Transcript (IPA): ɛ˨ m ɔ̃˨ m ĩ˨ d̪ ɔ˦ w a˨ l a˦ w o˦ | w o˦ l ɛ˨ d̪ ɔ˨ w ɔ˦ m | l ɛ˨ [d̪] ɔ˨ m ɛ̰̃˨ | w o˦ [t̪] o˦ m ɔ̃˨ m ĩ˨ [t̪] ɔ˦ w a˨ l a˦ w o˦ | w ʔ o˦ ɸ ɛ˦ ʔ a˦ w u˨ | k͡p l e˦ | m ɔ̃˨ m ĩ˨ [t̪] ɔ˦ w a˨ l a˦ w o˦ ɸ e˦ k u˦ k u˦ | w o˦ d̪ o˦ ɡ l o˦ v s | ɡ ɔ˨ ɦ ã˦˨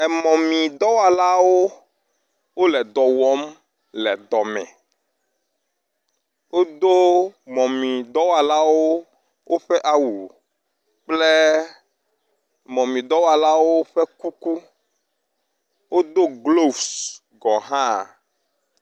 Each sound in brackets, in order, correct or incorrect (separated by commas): correct, incorrect, incorrect, incorrect